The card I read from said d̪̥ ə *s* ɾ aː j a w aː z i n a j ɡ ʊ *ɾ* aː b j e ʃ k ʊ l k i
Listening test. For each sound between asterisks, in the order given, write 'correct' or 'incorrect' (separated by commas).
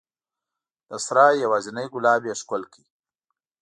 correct, incorrect